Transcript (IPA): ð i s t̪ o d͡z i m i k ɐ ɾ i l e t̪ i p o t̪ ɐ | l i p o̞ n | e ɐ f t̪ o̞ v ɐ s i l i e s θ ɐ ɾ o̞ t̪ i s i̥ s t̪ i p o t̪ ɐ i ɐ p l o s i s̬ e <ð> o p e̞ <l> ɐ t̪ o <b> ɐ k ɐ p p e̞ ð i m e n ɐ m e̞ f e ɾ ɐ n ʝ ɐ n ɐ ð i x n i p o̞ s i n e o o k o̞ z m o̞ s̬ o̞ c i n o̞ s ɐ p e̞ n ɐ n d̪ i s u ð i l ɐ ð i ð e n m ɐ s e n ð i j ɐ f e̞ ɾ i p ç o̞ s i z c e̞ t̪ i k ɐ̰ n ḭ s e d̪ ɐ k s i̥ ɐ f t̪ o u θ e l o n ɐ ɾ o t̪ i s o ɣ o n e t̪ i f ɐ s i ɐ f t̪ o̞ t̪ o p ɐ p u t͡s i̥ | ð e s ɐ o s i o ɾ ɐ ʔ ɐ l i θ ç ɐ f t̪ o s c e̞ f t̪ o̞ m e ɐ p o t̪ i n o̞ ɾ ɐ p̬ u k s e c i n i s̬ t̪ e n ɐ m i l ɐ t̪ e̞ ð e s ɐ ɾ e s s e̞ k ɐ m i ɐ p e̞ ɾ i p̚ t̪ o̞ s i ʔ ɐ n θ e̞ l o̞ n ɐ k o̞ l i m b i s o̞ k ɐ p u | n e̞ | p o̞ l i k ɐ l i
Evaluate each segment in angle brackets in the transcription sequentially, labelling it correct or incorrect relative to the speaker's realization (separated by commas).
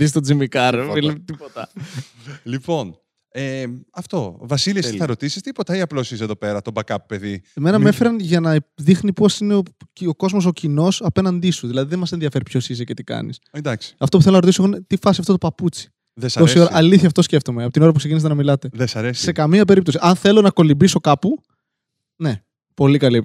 correct, incorrect, correct